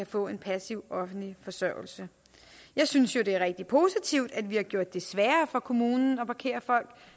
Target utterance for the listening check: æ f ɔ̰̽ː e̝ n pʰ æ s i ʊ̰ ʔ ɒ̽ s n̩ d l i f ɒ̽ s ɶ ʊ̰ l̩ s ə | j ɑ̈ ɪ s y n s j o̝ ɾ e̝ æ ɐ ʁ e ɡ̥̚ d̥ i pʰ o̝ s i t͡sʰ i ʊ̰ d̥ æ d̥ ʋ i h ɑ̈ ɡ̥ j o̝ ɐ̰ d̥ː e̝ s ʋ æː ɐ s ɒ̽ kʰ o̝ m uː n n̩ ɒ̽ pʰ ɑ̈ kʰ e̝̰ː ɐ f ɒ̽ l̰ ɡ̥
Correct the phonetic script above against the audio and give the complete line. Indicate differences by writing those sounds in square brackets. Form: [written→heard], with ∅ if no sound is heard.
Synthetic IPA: æ f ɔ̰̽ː e̝ n pʰ æ s i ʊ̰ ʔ ɒ̽ [s→f] n̩ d l i f ɒ̽ s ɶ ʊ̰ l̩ s ə | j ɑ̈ ɪ s y n s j o̝ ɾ e̝ æ ɐ ʁ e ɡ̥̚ d̥ i pʰ o̝ s i t͡sʰ i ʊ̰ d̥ æ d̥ ʋ i h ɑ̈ ɡ̥ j o̝ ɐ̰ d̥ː e̝ s ʋ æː ɐ [s→f] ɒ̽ kʰ o̝ m uː n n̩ ɒ̽ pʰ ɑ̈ kʰ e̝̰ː ɐ f ɒ̽ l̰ ɡ̥